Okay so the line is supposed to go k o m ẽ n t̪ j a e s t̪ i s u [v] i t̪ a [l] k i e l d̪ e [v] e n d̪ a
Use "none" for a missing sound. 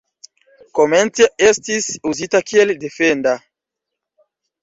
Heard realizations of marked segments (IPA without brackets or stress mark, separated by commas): z, none, f